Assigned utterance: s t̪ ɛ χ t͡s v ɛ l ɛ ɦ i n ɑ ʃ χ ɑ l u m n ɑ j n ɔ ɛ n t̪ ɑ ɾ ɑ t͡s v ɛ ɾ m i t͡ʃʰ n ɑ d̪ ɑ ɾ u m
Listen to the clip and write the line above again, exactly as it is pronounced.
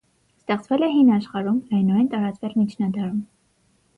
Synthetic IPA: s t̪ ɛ χ t͡s v ɛ l ɛ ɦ i n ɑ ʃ χ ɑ ɾ u m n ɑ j n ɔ ɛ n t̪ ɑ ɾ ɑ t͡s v ɛ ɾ m i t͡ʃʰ n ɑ d̪ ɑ ɾ u m